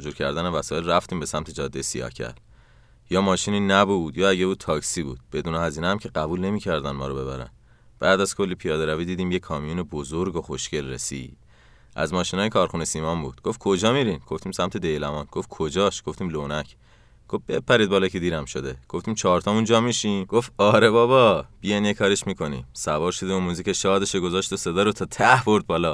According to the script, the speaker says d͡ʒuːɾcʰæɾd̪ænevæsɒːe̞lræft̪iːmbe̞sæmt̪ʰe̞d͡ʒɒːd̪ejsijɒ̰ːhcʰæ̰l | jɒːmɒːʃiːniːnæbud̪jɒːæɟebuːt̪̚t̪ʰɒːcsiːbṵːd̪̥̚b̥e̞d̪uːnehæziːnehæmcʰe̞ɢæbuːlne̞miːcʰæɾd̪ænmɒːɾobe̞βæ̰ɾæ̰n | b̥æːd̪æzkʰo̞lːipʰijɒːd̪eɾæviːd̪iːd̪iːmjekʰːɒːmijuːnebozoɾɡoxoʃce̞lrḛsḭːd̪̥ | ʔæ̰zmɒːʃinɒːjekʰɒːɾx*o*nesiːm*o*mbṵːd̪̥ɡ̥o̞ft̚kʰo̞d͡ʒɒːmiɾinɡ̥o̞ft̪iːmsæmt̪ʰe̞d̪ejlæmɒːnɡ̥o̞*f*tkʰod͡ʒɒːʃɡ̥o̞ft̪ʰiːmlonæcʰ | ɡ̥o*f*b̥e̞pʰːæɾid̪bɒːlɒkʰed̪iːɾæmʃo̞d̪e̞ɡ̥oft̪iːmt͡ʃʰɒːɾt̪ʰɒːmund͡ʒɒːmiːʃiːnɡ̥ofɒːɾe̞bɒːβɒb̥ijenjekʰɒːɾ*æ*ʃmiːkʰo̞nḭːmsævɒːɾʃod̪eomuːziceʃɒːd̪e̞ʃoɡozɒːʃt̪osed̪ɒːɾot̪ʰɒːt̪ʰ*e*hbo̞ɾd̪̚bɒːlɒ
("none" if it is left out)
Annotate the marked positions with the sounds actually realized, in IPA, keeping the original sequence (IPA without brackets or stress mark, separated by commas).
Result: u, ɒ, f, f, e, æ